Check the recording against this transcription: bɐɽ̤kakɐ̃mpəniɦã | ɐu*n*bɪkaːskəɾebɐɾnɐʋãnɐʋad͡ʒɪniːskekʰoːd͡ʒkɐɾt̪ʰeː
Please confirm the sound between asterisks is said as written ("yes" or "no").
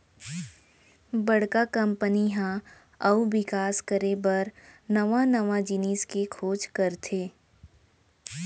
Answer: no